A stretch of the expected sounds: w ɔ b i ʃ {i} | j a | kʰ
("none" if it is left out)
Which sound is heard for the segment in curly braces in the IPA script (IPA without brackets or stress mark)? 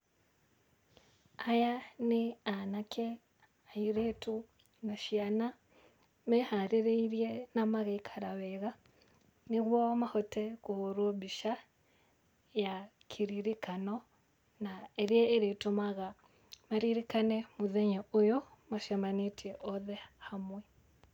a